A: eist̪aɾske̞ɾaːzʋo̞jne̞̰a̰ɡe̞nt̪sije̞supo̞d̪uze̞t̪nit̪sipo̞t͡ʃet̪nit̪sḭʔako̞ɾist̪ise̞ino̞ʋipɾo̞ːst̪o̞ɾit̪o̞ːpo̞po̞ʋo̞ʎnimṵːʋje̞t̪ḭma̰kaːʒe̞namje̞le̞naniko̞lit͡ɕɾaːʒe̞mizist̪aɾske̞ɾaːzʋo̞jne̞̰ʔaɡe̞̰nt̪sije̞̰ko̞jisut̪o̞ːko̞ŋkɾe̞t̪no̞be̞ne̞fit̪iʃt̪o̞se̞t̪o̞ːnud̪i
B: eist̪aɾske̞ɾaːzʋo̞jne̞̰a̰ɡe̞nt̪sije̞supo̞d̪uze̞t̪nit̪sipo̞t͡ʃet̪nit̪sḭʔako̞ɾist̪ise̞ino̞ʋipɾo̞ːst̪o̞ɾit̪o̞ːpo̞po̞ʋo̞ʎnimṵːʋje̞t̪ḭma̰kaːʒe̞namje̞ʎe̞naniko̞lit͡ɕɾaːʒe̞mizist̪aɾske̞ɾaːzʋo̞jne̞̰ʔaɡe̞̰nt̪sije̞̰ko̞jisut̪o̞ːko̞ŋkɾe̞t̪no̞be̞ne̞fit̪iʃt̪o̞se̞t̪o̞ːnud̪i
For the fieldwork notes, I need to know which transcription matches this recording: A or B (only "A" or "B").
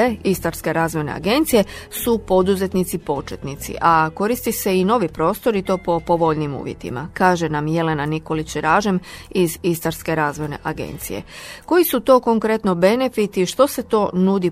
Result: A